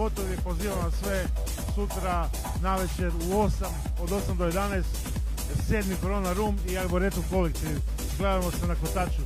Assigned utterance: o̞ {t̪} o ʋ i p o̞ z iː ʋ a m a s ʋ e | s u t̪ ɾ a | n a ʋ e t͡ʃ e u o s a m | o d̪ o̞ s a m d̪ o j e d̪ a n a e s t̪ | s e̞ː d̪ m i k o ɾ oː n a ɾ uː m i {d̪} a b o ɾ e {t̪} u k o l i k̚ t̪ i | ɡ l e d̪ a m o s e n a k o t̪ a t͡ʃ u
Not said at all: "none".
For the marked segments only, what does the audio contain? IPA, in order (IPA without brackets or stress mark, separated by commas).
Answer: t̪, none, t̪